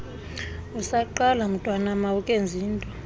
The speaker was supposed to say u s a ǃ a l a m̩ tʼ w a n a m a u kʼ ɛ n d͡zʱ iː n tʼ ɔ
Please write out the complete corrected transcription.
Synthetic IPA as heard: u s a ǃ a l a m̩ tʼ w a n a m a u kʼ e n d͡zʱ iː n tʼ ɔ